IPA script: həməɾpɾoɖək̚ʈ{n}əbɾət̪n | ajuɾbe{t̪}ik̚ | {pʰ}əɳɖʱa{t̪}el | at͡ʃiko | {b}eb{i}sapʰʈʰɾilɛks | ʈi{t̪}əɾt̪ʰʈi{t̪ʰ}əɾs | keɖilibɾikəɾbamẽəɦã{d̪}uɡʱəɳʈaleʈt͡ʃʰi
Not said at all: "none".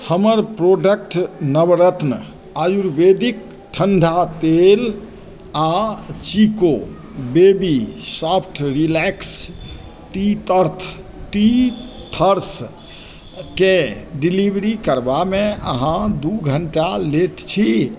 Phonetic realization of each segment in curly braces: n, d̪, ʈʰ, t̪, b, i, t̪, t̪ʰ, d̪

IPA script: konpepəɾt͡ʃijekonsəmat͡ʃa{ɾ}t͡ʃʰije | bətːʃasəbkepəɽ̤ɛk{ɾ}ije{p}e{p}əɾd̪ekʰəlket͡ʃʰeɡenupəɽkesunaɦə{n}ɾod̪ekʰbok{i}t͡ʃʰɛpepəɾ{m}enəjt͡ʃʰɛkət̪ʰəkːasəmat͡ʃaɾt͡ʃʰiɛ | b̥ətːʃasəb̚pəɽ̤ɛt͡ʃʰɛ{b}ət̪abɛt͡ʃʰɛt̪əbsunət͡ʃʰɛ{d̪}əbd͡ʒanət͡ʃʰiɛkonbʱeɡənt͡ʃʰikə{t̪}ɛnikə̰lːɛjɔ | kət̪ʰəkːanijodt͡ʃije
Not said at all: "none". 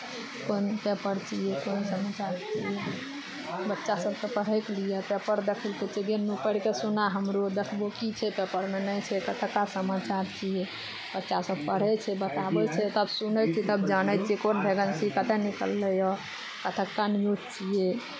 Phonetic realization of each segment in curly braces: ɾ, l, p, p, m, i, m, b, t̪, t̪

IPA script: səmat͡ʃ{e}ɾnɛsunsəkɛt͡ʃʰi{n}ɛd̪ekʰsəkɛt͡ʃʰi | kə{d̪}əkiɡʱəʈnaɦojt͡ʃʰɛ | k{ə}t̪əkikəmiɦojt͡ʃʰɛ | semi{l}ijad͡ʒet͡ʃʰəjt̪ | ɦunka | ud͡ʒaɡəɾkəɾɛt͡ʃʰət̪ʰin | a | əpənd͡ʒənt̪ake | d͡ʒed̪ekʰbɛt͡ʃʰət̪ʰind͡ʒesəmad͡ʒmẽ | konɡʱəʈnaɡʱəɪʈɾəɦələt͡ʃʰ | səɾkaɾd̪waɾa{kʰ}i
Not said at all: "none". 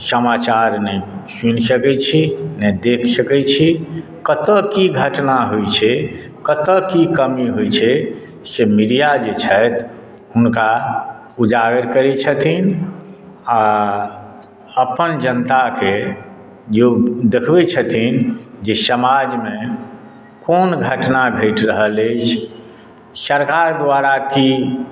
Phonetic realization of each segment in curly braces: a, n, t̪, ə, ɾ, k

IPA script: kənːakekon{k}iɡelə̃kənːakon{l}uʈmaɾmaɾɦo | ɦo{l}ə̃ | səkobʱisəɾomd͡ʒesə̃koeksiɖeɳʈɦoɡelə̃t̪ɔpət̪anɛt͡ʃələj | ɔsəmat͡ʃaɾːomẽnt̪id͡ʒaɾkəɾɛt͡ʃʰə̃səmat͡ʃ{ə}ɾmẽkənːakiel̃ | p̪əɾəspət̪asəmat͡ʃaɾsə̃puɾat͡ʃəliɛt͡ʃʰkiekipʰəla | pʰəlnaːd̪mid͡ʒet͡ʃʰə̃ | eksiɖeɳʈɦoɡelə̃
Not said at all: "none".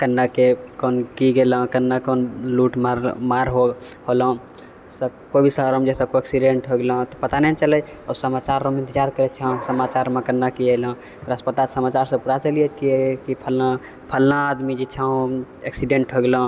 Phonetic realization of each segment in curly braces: k, l, l, a

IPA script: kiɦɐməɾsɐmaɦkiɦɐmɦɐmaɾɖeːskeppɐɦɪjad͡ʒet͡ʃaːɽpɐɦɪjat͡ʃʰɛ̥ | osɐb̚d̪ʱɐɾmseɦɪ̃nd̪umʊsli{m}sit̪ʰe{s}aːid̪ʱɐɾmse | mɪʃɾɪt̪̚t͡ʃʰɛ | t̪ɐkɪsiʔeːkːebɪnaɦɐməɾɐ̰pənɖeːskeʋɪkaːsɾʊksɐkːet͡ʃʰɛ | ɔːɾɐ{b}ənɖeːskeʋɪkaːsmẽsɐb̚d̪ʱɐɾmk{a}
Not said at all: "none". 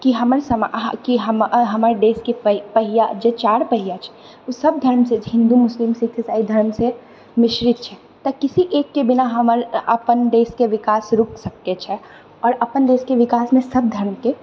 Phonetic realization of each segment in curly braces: m, s, p, e

